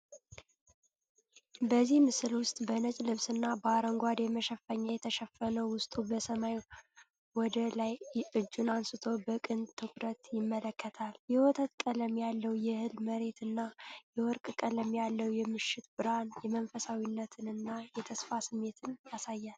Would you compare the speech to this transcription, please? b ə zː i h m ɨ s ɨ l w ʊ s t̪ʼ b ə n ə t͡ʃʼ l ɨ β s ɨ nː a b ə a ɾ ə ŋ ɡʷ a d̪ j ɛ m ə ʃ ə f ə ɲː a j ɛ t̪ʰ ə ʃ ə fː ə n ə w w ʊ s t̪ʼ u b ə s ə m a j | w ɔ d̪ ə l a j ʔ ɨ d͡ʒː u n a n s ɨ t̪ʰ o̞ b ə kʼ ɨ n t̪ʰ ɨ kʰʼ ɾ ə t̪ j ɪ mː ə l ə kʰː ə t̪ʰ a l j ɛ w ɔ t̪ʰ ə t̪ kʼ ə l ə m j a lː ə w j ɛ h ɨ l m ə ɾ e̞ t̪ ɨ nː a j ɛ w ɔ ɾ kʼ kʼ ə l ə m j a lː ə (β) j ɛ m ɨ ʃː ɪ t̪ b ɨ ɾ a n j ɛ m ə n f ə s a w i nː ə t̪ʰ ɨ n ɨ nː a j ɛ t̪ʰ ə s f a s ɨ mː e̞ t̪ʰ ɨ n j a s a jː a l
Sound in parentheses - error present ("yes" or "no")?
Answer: yes